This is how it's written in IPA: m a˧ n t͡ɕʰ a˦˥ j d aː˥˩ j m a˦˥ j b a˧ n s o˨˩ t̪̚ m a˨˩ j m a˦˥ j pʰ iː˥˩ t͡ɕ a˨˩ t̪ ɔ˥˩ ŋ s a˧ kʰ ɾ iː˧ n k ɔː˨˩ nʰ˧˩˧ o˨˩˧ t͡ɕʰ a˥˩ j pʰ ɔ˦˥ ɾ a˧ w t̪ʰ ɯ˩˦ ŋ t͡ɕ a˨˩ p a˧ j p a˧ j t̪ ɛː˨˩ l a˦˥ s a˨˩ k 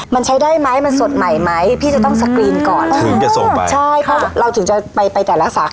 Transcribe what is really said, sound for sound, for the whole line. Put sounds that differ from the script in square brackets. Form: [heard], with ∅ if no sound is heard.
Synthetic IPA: m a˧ n t͡ɕʰ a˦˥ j d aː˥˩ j m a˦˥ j [m] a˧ n s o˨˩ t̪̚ m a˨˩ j m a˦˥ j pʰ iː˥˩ t͡ɕ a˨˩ t̪ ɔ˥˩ ŋ s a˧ [k] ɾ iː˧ n k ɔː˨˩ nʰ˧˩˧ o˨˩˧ t͡ɕʰ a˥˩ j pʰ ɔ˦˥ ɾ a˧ w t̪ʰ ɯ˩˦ ŋ t͡ɕ a˨˩ p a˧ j p a˧ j t̪ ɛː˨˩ l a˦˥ s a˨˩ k